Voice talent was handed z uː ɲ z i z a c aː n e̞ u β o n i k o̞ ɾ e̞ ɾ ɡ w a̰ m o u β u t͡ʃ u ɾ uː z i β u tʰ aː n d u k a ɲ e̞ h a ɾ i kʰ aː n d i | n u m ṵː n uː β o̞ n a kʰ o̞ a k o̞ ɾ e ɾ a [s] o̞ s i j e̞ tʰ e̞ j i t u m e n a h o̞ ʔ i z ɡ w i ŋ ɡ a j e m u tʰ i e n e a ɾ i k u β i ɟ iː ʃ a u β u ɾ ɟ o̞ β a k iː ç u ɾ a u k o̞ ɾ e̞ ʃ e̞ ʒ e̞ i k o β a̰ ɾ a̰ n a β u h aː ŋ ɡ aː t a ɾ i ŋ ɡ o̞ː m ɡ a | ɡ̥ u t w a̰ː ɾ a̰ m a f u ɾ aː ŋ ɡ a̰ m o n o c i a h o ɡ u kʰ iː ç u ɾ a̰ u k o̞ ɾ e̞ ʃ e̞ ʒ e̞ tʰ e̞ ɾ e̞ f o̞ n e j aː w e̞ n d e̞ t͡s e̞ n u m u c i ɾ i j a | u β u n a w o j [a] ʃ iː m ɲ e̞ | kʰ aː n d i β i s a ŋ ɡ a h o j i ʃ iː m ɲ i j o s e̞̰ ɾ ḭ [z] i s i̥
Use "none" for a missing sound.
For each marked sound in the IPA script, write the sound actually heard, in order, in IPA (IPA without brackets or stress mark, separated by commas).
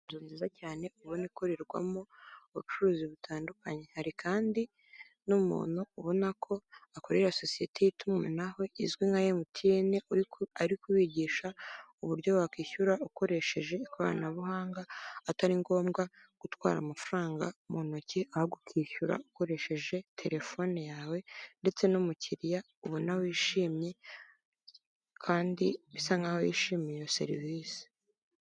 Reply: s, i, v